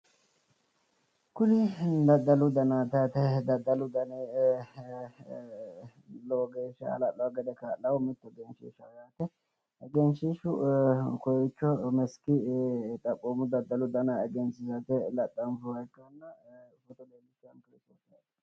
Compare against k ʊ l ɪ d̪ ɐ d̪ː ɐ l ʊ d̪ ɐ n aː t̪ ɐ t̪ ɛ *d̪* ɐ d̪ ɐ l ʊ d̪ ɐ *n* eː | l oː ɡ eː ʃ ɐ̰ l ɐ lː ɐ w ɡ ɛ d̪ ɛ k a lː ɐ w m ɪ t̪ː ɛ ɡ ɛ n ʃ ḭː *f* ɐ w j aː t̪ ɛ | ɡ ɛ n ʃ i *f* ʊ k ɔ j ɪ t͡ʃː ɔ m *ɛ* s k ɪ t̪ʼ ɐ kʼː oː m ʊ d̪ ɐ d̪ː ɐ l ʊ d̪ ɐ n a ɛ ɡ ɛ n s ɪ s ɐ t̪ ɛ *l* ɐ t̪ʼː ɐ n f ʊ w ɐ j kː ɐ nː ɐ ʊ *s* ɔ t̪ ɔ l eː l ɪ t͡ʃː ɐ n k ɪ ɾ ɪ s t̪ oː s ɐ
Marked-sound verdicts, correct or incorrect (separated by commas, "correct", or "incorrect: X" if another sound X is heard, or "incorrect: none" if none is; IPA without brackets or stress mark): correct, correct, incorrect: ʃ, incorrect: ʃ, correct, correct, incorrect: f